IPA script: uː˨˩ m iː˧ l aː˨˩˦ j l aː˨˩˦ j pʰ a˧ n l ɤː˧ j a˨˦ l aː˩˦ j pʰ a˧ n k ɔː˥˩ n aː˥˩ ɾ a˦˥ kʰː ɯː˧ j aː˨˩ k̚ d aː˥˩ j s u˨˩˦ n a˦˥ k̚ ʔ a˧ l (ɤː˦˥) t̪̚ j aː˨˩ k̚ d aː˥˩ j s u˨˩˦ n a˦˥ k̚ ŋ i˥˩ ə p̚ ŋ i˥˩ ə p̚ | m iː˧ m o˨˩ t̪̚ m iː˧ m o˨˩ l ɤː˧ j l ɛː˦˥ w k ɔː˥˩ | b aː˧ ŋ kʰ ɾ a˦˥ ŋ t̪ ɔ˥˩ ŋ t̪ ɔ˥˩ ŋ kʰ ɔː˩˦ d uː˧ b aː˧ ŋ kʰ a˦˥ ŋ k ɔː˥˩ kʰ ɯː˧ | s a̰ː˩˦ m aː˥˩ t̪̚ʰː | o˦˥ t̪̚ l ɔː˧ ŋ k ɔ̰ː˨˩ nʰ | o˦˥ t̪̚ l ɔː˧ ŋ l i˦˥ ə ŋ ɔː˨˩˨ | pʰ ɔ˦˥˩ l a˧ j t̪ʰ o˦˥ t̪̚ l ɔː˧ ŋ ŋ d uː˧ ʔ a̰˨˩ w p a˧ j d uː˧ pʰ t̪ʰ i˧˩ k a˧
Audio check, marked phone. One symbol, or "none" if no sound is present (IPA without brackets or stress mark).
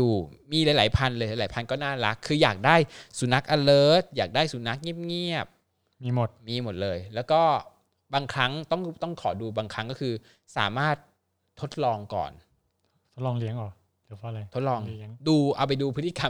ɤː˦˥